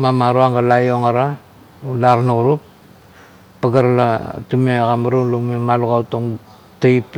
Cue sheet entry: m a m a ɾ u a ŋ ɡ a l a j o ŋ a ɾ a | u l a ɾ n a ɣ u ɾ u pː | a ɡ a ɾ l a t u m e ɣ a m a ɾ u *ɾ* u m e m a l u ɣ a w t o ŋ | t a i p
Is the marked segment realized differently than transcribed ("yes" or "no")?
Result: yes